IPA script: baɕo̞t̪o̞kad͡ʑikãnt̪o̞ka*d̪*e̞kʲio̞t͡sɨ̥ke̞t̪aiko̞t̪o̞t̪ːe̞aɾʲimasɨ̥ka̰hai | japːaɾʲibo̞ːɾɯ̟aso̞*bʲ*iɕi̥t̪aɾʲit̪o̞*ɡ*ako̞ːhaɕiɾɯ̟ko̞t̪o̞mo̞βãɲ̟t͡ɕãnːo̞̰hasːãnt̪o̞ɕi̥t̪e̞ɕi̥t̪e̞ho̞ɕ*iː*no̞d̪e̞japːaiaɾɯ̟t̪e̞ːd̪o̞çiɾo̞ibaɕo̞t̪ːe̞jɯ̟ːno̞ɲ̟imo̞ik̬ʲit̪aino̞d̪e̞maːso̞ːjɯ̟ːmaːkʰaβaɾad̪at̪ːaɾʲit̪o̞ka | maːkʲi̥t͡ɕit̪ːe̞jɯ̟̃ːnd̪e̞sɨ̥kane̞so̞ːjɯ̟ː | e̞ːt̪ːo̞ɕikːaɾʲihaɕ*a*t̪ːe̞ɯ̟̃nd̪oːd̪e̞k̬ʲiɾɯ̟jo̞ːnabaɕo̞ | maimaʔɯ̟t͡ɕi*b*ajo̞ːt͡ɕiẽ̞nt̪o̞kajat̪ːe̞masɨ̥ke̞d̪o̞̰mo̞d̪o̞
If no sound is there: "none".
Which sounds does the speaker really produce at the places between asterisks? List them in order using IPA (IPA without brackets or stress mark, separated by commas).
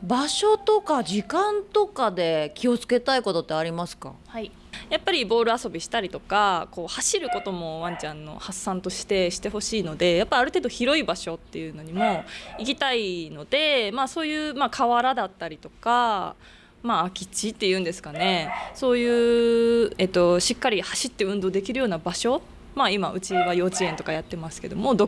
d̪, bʲ, k, iː, i, β